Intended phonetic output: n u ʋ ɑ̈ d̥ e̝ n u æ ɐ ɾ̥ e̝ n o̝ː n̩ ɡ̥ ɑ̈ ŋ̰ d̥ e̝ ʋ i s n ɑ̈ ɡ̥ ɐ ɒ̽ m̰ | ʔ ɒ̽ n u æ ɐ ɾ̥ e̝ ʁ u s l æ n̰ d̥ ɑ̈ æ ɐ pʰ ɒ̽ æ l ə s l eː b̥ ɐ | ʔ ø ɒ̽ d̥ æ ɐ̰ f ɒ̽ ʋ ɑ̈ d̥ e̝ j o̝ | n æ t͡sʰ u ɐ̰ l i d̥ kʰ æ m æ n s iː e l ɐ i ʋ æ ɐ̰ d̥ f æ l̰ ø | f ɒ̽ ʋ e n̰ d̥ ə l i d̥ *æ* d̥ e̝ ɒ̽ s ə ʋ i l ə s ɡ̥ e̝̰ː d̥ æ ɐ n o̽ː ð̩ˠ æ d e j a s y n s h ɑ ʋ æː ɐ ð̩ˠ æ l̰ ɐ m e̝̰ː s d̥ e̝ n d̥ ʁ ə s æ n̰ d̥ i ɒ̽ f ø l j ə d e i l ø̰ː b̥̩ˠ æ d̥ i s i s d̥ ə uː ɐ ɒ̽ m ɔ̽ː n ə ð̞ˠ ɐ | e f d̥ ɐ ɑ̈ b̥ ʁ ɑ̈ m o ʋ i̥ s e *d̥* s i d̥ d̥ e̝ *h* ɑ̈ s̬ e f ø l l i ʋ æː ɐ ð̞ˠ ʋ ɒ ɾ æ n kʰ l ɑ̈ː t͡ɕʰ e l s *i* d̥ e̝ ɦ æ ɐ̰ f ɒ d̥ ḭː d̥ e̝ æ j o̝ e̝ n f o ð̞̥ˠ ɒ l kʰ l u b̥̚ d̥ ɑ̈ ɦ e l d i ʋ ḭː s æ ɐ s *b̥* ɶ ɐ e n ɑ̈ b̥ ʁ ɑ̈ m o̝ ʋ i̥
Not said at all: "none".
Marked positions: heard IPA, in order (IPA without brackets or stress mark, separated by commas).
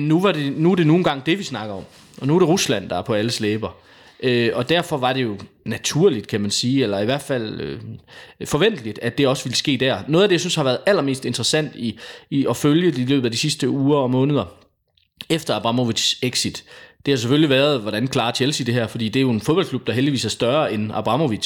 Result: æ, ɡ̥, h, i, d̥